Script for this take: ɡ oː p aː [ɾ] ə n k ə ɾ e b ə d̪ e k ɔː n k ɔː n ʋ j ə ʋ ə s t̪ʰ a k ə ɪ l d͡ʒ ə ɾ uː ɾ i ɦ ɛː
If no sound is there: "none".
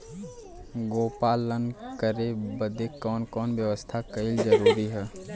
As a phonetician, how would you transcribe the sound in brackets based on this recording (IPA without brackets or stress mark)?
l